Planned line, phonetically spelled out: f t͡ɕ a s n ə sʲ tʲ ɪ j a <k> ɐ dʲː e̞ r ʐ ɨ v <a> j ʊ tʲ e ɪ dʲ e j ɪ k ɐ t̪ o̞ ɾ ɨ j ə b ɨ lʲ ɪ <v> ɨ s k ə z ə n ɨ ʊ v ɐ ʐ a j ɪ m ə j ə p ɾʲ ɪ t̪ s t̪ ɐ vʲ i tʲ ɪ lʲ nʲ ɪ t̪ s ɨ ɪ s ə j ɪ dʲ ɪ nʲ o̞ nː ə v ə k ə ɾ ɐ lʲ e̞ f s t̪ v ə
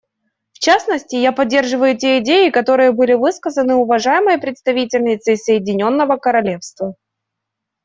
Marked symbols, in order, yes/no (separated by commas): no, no, yes